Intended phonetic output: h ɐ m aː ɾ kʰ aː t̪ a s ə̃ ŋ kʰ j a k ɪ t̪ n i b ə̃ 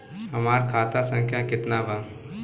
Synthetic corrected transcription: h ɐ m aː ɾ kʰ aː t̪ a s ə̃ ŋ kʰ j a k ɪ t̪ n a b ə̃